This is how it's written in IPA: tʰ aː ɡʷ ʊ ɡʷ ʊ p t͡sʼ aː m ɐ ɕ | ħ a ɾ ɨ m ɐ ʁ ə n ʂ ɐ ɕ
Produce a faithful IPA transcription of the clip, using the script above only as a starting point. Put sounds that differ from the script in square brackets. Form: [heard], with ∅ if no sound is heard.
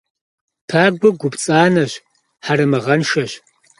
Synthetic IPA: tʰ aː ɡʷ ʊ ɡʷ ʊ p t͡sʼ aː [n] ɐ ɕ | ħ a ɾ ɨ m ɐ ʁ [ɐ] n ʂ ɐ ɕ

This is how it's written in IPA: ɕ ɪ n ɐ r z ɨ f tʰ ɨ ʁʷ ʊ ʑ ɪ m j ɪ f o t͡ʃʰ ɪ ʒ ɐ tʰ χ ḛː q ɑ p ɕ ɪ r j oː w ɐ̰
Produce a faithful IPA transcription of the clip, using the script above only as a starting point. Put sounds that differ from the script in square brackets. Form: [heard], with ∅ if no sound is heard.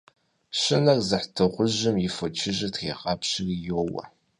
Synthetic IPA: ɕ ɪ n ɐ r z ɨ [ħ] tʰ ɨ ʁʷ ʊ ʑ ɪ m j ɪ f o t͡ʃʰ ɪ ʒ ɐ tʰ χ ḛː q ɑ p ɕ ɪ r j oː w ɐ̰

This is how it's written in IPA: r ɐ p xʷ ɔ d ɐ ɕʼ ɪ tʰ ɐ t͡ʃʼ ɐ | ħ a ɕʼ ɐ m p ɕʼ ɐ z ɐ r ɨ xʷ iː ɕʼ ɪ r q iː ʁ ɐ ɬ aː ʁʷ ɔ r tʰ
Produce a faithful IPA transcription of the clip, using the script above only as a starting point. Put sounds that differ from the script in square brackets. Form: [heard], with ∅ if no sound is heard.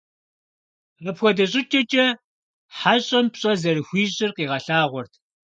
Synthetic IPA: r ɐ p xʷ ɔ d ɐ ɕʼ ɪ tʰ ɐ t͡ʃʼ ɐ | ħ a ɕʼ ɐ m p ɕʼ ɐ z ɐ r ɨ xʷ iː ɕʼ ɪ r q iː ʁ ɐ ɬ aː ʁʷ ɔ r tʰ

